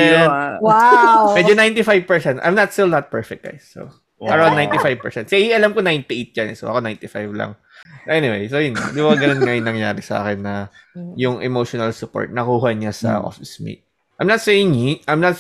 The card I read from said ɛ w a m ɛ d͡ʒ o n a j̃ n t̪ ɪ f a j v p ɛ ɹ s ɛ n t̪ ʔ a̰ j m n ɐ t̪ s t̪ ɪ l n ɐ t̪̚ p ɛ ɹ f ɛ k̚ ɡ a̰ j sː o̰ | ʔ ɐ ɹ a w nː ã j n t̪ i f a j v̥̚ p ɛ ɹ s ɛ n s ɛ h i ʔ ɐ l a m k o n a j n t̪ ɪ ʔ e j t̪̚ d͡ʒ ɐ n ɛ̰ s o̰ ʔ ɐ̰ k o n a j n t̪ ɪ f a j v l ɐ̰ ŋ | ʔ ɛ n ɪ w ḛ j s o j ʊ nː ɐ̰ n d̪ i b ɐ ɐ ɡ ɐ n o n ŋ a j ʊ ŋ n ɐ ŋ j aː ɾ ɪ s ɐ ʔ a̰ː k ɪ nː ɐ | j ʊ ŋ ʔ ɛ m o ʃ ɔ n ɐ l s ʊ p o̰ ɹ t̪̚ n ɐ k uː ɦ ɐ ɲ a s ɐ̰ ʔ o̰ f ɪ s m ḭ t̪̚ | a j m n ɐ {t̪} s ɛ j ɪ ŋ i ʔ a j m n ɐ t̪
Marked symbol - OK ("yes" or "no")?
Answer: yes